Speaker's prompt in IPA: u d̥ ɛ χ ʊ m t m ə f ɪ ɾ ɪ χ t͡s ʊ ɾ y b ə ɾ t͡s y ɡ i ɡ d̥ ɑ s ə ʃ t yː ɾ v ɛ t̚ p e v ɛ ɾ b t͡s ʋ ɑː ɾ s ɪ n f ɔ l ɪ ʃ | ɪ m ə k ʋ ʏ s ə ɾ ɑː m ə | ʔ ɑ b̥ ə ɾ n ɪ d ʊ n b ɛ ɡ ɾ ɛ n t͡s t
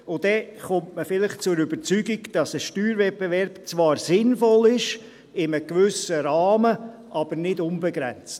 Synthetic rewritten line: ʊ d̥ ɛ χ ʊ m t m ə f ɪ l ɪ χ t͡s ʊ ɾ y b ə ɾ t͡s y ɡ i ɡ d̥ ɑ s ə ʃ t yː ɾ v ɛ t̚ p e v ɛ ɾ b t͡s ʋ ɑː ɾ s ɪ n f ɔ l ɪ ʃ | ɪ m ə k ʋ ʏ s ə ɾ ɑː m ə | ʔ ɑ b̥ ə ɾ n ɪ d ʊ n b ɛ ɡ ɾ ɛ n t͡s t